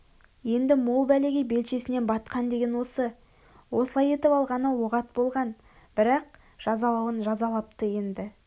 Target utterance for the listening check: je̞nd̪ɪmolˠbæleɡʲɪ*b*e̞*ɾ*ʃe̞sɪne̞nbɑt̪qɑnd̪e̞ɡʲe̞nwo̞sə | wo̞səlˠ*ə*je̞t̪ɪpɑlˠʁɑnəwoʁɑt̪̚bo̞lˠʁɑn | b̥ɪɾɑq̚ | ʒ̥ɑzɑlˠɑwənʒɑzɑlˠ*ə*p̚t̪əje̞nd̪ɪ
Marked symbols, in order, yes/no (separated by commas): yes, no, no, no